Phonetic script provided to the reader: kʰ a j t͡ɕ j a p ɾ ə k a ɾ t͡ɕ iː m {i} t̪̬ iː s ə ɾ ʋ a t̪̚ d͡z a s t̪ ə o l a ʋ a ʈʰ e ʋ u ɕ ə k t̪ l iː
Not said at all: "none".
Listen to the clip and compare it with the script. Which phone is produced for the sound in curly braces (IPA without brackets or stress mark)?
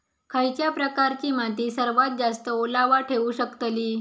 a